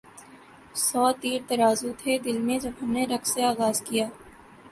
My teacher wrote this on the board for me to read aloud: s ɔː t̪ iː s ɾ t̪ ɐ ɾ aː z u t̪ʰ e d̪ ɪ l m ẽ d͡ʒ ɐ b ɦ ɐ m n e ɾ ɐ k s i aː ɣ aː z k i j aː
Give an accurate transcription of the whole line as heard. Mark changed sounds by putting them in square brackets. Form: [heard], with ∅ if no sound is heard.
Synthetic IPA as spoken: s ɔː t̪ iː [∅] ɾ t̪ ɐ ɾ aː z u t̪ʰ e d̪ ɪ l m ẽ d͡ʒ ɐ b ɦ ɐ m n e ɾ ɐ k s [e] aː ɣ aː z k i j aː